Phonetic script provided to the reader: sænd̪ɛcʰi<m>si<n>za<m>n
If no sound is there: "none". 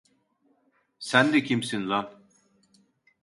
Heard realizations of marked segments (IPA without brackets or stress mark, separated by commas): m, n, none